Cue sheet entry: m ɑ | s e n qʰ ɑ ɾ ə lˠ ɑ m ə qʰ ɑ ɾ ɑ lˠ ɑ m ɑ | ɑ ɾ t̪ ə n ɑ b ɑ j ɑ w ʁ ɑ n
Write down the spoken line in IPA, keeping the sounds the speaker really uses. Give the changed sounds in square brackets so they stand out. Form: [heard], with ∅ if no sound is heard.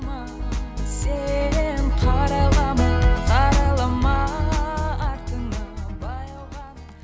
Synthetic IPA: m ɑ | s e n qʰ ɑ ɾ [ɑ] lˠ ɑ m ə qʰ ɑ ɾ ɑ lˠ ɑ m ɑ | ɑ ɾ t̪ ə n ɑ b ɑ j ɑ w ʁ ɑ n